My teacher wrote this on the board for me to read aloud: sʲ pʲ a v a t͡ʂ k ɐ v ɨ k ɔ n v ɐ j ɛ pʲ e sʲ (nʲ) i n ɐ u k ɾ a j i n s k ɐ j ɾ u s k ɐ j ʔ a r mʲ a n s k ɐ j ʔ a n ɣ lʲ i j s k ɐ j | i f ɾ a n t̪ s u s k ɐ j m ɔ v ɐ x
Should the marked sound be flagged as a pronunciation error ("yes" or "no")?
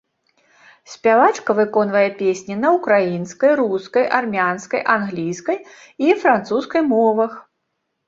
no